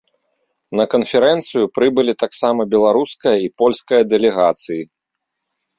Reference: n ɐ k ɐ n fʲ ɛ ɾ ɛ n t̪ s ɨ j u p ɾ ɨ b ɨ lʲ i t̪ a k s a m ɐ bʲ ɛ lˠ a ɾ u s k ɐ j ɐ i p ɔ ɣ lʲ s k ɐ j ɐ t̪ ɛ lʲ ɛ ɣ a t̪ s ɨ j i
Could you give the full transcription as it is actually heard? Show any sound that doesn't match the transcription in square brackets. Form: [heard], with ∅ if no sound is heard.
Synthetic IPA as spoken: n ɐ k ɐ n fʲ ɛ ɾ ɛ n t̪ s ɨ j u p ɾ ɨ b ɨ lʲ i t̪ a k s a m ɐ bʲ ɛ lˠ a ɾ u s k ɐ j ɐ i p ɔ [∅] lʲ s k ɐ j ɐ [d̪] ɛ lʲ ɛ ɣ a t̪ s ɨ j i